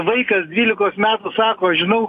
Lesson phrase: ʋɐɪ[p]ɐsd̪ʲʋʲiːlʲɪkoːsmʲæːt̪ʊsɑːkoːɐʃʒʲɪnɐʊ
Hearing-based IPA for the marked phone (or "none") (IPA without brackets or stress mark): k